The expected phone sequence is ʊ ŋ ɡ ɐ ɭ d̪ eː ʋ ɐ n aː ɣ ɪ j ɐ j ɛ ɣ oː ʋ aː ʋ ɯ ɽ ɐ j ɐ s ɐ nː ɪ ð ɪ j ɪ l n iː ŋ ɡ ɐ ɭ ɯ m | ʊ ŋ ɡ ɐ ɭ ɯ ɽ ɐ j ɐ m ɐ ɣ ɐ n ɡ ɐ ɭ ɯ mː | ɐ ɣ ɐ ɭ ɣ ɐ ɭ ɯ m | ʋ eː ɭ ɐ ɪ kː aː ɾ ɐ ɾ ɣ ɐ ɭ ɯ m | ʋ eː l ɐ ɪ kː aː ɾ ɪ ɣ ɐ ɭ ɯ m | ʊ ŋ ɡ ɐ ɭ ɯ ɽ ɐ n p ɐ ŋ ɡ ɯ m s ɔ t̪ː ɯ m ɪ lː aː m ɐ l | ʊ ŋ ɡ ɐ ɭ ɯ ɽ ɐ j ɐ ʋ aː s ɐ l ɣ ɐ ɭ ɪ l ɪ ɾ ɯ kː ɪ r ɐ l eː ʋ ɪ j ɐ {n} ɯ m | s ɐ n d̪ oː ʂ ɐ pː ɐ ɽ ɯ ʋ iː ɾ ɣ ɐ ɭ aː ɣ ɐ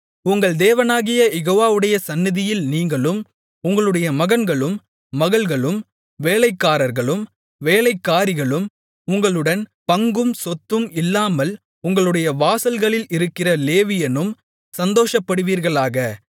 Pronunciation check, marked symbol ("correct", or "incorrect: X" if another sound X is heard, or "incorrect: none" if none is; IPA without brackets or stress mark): correct